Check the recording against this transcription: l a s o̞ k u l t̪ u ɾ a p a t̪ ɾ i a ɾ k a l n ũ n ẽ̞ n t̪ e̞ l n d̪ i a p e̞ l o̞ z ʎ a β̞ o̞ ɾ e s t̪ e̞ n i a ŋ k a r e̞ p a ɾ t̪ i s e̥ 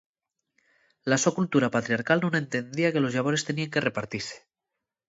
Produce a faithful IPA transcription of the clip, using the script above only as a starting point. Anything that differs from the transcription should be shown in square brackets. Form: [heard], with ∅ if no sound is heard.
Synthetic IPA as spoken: l a s o̞ k u l t̪ u ɾ a p a t̪ ɾ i a ɾ k a l n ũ n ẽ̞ n t̪ e̞ [∅] n d̪ i a [k] e̞ l o̞ z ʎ a β̞ o̞ ɾ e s t̪ e̞ n i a ŋ k [e] r e̞ p a ɾ t̪ i s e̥